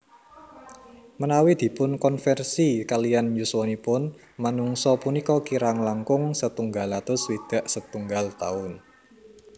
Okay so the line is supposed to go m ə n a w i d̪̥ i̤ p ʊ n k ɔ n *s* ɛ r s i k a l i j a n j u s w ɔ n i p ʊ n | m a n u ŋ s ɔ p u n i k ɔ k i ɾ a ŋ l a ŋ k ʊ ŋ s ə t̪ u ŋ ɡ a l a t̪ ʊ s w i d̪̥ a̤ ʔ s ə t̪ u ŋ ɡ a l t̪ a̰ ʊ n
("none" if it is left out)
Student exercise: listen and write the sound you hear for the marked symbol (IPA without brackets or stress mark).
f